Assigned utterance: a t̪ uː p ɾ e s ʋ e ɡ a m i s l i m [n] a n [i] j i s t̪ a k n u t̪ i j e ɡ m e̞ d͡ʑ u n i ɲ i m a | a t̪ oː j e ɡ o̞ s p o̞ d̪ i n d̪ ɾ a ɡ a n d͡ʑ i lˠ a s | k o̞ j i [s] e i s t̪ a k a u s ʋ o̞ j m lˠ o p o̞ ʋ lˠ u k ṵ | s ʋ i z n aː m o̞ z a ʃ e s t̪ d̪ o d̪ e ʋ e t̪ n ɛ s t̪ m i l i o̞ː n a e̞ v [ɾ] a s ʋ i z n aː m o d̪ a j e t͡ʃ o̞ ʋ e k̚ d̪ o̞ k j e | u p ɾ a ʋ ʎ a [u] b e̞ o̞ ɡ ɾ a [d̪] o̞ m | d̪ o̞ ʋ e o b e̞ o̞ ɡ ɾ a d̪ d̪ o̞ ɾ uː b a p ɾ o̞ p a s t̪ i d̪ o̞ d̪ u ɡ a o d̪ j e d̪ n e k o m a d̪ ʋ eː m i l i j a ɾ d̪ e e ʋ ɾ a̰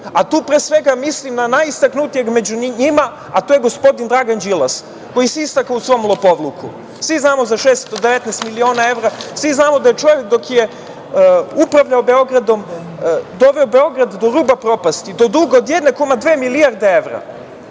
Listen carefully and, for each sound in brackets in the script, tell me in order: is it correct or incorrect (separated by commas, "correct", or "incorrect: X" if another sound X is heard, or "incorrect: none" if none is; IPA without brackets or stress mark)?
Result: correct, incorrect: a, correct, correct, incorrect: o, correct